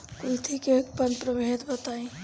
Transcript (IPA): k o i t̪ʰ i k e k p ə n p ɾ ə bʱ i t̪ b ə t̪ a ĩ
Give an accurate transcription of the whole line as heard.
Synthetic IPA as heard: k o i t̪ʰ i k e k p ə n p ɾ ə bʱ e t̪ b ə t̪ a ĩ